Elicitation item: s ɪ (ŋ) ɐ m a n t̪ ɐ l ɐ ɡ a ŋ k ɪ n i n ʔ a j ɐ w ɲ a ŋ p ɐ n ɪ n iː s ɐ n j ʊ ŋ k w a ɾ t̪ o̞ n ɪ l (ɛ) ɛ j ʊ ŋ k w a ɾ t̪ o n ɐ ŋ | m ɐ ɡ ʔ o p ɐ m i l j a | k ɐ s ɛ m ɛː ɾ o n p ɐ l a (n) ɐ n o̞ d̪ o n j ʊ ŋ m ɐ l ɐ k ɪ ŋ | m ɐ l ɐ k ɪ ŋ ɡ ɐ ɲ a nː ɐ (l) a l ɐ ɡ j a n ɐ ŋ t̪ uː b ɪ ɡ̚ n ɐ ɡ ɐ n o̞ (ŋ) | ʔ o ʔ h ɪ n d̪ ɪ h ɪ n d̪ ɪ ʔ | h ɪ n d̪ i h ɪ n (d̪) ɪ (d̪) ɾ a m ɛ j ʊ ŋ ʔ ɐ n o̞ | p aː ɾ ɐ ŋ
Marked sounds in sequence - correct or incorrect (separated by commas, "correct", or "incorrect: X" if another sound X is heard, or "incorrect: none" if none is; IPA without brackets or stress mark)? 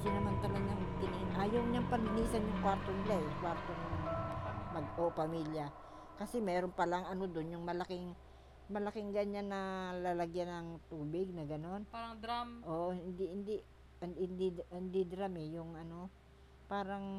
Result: incorrect: n, incorrect: a, incorrect: ŋ, correct, incorrect: n, correct, correct